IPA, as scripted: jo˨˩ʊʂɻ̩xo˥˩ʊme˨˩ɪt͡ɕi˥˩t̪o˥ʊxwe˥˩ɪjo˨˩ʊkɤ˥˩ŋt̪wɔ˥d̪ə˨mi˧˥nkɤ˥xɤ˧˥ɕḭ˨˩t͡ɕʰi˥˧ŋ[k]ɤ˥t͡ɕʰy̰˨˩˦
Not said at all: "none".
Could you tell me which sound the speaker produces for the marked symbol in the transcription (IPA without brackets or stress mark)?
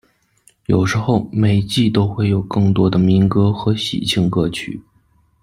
k